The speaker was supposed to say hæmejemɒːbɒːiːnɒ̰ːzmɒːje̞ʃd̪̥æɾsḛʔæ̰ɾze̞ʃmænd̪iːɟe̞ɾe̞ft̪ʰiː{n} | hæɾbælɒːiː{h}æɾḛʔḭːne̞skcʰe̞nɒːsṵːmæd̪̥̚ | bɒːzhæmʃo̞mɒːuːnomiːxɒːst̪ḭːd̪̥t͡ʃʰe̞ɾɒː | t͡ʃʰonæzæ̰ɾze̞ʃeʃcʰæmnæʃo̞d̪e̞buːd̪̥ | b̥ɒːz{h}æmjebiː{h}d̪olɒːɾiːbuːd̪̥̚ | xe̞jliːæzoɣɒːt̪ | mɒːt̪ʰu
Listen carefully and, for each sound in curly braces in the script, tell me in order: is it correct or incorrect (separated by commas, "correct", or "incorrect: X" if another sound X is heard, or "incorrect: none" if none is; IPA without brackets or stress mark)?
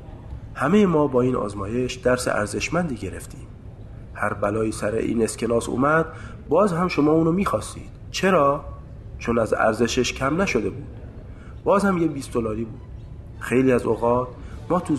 incorrect: m, incorrect: s, correct, incorrect: s